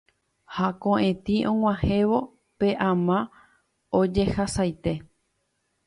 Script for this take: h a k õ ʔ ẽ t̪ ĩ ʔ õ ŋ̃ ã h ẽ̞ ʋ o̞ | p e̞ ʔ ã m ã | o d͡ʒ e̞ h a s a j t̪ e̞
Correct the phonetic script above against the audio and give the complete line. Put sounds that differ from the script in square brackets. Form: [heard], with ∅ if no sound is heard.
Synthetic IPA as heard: h a k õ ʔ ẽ t̪ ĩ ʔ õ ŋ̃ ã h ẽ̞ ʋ o̞ | p e̞ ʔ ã m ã | o d͡ʒ e̞ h a s a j t̪ e̞